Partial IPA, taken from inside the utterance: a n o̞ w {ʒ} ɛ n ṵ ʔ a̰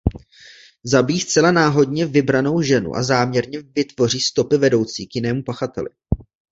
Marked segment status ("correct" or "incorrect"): correct